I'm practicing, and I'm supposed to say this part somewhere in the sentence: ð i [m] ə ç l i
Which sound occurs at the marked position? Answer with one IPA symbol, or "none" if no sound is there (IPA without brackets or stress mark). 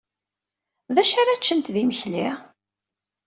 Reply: m